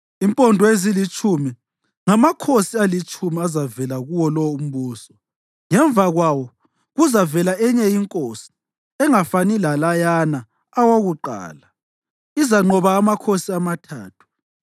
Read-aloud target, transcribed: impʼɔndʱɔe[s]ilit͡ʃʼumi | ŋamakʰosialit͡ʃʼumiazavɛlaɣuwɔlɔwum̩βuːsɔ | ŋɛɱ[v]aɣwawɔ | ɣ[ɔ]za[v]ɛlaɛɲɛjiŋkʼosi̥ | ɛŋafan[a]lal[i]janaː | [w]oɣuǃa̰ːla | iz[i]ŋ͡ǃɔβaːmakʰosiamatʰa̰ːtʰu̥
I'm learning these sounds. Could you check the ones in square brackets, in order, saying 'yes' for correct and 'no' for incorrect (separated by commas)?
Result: no, yes, no, yes, no, no, yes, no